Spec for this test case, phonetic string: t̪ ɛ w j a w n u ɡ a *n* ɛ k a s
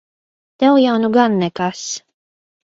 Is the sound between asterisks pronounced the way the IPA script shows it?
no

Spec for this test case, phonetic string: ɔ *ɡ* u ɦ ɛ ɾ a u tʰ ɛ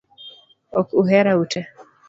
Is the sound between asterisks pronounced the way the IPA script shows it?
no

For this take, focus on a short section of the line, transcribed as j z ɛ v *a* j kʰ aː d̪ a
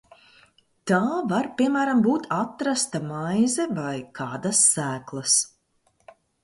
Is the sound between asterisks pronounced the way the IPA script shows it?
yes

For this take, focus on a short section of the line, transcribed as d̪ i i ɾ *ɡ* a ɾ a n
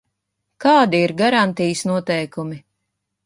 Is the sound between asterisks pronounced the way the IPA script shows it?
yes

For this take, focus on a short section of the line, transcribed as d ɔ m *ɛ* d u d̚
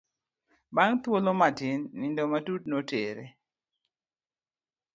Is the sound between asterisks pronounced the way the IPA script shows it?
no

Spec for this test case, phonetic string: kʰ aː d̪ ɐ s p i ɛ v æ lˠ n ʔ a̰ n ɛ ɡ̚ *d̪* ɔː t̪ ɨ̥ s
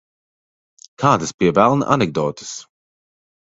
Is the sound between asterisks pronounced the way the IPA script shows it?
yes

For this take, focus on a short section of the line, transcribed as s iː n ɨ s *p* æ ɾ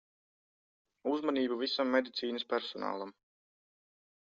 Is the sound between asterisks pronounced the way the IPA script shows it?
yes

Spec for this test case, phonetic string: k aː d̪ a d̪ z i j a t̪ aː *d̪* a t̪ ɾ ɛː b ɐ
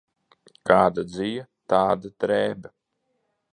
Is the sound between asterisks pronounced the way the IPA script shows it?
yes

